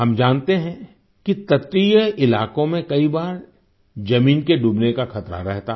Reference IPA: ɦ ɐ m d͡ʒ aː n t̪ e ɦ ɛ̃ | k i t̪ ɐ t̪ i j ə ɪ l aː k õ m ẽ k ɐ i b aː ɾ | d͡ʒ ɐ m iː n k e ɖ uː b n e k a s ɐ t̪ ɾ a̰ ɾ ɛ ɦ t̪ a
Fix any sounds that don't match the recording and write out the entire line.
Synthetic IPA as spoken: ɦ ɐ m d͡ʒ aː n t̪ e ɦ ɛ̃ | k i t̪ ɐ t̪ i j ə ɪ l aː k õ m ẽ k ɐ i b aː ɾ | d͡ʒ ɐ m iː n k e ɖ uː b n e k a x ɐ t̪ ɾ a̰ ɾ ɛ ɦ t̪ a